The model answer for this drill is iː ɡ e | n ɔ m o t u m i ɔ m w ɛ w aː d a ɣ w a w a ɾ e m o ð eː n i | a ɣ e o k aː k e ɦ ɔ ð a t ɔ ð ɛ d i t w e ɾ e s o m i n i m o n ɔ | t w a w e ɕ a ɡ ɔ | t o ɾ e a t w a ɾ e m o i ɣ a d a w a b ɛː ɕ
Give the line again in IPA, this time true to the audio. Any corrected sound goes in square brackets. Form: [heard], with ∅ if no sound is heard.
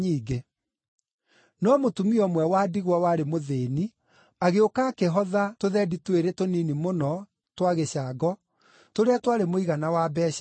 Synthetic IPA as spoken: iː ɡ e | n ɔ m o t u m i ɔ m w ɛ w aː d [i] ɣ w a w a ɾ e m o ð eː n i | a ɣ e o k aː k e ɦ ɔ ð a t [o] ð ɛ d i t w e ɾ e [t] o [n] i n i m o n ɔ | t w a [ɣ] e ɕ a ɡ ɔ | t o ɾ e a t w a ɾ e m o i ɣ a [n] a w a b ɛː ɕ